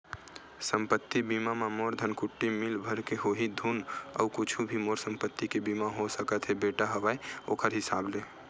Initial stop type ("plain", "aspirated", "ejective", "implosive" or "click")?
plain